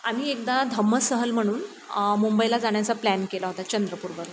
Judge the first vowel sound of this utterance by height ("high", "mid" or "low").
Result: low